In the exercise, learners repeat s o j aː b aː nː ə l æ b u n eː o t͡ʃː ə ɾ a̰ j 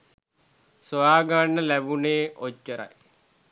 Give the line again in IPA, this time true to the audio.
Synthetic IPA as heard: s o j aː ɡ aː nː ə l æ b u n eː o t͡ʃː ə ɾ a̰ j